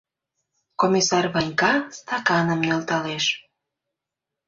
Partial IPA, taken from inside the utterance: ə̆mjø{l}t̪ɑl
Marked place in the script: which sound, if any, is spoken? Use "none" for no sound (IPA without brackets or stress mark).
l